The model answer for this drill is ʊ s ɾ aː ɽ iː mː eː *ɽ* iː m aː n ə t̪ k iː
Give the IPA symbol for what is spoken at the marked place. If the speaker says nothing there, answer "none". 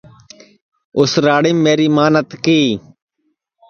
ɾ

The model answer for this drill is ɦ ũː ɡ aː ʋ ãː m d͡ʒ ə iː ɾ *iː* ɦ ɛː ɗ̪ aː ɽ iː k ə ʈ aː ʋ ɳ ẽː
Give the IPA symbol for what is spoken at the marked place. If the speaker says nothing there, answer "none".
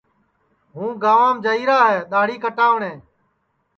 aː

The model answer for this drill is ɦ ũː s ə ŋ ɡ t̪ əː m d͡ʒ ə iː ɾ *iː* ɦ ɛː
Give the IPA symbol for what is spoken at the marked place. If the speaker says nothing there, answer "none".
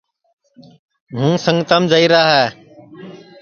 aː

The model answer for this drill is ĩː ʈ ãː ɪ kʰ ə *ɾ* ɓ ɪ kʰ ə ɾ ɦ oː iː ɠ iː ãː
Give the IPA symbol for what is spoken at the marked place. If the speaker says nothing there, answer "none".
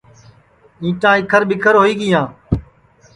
ɾ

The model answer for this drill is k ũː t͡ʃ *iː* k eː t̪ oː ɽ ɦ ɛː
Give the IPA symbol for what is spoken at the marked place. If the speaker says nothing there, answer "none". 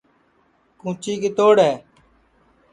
iː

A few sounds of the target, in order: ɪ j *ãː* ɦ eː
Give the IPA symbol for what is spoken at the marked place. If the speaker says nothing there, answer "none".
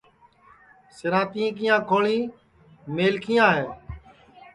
ãː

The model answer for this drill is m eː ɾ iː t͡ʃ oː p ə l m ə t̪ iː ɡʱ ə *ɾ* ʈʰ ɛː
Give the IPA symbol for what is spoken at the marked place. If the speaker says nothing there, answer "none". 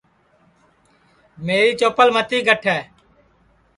none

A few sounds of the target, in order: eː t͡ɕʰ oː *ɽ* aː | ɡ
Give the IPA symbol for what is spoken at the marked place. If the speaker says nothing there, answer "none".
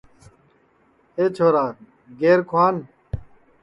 ɾ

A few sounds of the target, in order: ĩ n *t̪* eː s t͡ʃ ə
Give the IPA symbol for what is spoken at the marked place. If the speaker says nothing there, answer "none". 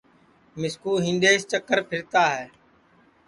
d̪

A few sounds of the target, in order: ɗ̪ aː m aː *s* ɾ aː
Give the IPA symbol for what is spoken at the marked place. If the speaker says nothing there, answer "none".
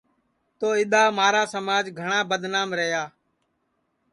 none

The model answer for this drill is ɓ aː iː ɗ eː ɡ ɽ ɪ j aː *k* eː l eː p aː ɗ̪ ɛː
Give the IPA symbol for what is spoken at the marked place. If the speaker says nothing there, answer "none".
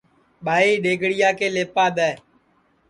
k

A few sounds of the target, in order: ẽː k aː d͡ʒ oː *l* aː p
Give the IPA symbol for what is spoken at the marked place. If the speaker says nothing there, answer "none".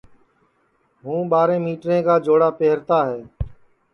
ɽ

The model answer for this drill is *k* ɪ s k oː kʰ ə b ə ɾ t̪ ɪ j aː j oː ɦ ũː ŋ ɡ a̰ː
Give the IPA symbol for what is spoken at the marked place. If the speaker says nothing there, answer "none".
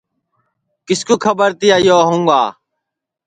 k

